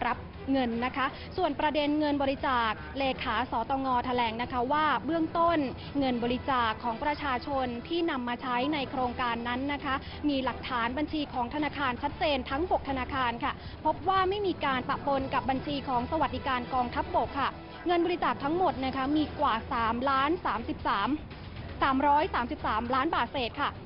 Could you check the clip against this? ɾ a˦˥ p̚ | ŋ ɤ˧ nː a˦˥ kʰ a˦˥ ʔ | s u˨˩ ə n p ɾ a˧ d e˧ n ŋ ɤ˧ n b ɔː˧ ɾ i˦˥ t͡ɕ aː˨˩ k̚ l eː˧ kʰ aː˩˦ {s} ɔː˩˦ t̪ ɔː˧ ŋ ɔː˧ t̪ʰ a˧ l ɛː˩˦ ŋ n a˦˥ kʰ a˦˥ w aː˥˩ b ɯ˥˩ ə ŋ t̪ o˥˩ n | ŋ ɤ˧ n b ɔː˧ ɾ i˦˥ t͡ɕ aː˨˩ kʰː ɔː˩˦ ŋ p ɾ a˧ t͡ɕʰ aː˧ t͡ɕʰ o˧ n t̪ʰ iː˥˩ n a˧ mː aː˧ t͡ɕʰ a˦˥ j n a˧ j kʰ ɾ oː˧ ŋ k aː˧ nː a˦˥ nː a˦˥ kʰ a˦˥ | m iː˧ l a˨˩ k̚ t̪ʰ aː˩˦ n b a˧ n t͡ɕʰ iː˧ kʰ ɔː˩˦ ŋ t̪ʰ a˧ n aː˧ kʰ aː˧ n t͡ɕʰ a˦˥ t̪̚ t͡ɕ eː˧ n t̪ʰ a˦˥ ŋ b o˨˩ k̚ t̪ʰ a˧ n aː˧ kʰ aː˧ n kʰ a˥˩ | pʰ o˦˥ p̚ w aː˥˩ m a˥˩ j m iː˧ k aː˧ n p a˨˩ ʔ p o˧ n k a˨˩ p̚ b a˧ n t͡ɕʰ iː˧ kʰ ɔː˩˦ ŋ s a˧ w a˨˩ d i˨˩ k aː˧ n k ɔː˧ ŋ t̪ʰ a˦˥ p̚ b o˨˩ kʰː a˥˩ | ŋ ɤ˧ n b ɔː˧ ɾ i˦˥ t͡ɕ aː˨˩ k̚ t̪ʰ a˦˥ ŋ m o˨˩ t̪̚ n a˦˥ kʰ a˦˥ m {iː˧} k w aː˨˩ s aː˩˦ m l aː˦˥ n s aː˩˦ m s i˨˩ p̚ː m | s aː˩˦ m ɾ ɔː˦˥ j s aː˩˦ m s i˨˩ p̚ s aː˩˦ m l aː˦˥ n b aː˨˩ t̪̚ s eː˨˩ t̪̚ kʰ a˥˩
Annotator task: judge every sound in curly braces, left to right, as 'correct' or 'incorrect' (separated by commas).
correct, correct